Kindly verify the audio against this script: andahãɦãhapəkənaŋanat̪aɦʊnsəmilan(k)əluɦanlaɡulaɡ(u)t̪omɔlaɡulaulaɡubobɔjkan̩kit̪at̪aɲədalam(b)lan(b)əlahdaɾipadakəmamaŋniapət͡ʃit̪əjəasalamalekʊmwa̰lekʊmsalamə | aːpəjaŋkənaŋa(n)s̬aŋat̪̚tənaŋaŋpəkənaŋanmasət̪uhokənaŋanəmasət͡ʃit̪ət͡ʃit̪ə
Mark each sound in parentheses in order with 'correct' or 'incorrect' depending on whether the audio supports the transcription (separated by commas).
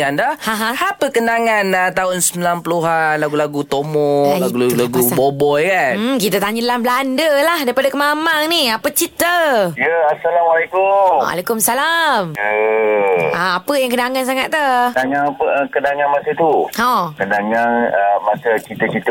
incorrect, correct, correct, incorrect, correct